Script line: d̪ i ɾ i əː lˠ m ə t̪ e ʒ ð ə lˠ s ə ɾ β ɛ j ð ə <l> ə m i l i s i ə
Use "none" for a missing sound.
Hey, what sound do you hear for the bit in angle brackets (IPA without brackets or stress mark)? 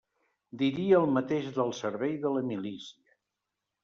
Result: l